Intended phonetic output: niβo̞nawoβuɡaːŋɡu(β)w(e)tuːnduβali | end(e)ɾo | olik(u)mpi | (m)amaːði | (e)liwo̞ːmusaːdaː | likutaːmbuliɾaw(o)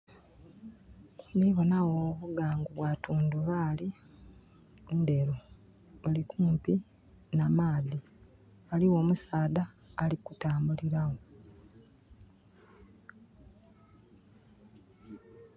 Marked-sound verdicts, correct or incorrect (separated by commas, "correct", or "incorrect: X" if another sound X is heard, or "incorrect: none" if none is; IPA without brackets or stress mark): correct, incorrect: a, correct, incorrect: uː, incorrect: n, incorrect: a, correct